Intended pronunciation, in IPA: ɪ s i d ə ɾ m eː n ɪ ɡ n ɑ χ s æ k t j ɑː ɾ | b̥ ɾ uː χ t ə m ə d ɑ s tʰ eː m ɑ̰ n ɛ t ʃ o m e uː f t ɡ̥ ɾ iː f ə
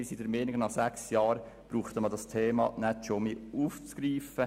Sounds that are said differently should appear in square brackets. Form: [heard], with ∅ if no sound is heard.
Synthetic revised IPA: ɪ s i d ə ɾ m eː n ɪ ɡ n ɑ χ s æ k [s] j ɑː ɾ | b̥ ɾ uː χ t ə m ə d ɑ s tʰ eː m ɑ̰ n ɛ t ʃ o m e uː f [t͡s] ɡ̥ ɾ iː f ə